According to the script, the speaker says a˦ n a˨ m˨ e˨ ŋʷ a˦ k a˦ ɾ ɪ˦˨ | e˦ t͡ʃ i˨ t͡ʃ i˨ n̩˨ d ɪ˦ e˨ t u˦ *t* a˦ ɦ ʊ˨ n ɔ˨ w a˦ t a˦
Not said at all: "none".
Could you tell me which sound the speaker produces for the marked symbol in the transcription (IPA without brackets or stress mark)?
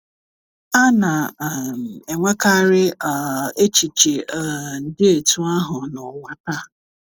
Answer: none